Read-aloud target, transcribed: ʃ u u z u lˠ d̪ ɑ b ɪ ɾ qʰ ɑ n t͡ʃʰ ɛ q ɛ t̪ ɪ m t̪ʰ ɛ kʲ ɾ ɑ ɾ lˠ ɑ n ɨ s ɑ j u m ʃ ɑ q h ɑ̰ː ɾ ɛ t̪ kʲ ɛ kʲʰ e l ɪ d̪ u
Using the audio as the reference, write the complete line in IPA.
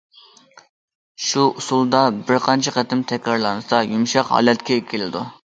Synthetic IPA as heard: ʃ u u s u lˠ d̪ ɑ b ɪ ɾ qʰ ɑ n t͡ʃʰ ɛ q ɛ t̪ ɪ m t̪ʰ ɛ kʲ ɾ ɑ ɾ lˠ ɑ n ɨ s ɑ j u m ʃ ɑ q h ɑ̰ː l ɛ t̪ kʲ ɛ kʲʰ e l ɪ d̪ u